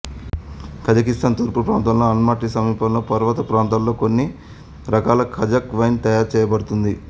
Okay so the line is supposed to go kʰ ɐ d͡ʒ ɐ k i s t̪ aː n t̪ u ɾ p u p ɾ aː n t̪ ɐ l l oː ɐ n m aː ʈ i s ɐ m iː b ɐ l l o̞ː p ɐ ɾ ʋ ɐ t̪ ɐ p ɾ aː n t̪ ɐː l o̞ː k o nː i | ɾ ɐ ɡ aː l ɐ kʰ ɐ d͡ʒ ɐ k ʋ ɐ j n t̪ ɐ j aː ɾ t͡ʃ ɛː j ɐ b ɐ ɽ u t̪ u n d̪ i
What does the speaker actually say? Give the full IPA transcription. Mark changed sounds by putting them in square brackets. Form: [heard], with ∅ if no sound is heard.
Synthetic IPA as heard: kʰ ɐ d͡ʒ ɐ k i s t̪ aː n t̪ u ɾ p u p ɾ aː n t̪ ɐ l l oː ɐ n m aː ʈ i s ɐ m iː [p] ɐ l l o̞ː p ɐ ɾ ʋ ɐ t̪ ɐ p ɾ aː n t̪ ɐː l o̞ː k o nː i | ɾ ɐ [k] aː l ɐ kʰ ɐ d͡ʒ ɐ k ʋ ɐ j n t̪ ɐ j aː ɾ t͡ʃ ɛː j ɐ b ɐ ɽ u t̪ u n d̪ i